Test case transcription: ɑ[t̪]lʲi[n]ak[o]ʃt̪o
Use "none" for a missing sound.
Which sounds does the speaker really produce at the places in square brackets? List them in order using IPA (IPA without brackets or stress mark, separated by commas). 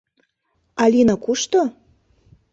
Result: none, n, u